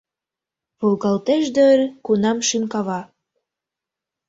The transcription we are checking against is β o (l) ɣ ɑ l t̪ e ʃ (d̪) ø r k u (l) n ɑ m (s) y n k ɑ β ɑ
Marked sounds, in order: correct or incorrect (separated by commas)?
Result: correct, correct, incorrect, incorrect